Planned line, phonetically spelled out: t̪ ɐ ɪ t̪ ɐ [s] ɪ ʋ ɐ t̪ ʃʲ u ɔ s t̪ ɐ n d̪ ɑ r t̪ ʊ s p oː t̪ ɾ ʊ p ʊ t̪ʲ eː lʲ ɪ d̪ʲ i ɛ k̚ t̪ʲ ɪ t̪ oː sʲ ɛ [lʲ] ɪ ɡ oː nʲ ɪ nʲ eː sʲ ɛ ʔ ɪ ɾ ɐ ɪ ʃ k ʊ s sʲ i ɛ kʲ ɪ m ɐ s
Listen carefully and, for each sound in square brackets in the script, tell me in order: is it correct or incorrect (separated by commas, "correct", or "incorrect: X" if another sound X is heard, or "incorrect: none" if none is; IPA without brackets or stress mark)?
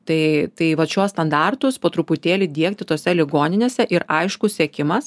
incorrect: none, correct